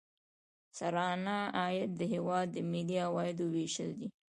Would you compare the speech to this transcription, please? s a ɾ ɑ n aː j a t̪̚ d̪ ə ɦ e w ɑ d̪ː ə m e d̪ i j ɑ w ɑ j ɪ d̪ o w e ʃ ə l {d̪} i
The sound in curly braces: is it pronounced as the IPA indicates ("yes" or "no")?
yes